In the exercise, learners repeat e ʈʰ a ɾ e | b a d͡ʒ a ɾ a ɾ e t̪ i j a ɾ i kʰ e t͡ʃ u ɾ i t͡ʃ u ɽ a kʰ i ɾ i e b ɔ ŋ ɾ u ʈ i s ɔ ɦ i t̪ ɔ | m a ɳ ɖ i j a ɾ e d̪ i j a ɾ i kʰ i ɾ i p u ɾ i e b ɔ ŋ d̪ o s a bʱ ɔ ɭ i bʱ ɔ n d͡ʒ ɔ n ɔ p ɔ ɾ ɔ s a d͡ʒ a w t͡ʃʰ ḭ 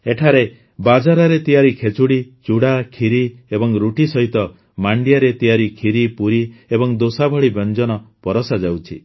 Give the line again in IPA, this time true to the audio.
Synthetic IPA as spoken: e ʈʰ a ɾ e | b a d͡ʒ a ɾ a ɾ e t̪ i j a ɾ i kʰ e t͡ʃ u ɽ i t͡ʃ u ɽ a kʰ i ɾ i e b ɔ ŋ ɾ u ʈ i s ɔ ɦ i t̪ ɔ | m a ɳ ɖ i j a ɾ e t̪ i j a ɾ i kʰ i ɾ i p u ɾ i e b ɔ ŋ d̪ o s a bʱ ɔ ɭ i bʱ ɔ n d͡ʒ ɔ n ɔ p ɔ ɾ ɔ s a d͡ʒ a w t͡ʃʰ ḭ